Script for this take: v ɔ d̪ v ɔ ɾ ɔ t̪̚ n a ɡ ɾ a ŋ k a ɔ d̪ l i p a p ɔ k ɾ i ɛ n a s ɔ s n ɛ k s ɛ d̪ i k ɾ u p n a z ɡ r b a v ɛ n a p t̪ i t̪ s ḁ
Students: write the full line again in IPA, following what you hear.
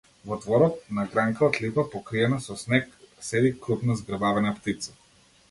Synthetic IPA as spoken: v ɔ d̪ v ɔ ɾ ɔ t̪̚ n a ɡ ɾ a ŋ k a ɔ t̪ l i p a p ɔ k ɾ i ɛ n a s ɔ s n ɛ k s ɛ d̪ i k ɾ u p n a z ɡ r b a v ɛ n a p t̪ i t̪ s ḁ